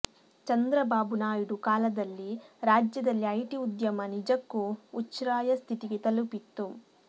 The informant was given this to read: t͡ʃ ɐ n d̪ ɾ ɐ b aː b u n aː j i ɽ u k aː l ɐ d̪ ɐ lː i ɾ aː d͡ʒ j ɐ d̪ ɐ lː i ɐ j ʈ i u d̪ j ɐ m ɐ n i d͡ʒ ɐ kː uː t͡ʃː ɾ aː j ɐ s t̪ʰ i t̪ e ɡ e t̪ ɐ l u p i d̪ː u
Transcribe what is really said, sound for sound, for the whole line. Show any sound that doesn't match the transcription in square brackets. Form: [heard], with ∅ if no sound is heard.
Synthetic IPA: t͡ʃ ɐ n d̪ ɾ ɐ b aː b u n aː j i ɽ u k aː l ɐ d̪ ɐ lː i ɾ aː d͡ʒ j ɐ d̪ ɐ lː i ɐ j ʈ i u d̪ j ɐ m ɐ n i d͡ʒ ɐ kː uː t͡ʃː ɾ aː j ɐ s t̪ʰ i t̪ [i] ɡ e t̪ ɐ l u p i [t̪ː] u